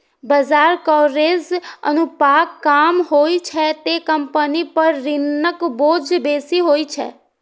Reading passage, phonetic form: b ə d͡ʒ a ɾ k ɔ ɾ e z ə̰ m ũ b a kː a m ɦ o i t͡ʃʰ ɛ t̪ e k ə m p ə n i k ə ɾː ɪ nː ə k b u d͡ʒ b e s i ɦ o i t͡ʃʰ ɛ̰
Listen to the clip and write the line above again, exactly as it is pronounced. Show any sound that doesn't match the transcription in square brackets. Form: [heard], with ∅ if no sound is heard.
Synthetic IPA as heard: b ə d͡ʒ a ɾ k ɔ ɾ e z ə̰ [n] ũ [p] a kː a m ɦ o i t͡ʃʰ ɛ t̪ e k ə m p ə n i [p] ə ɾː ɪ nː ə k b [o] d͡ʒ b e s i ɦ o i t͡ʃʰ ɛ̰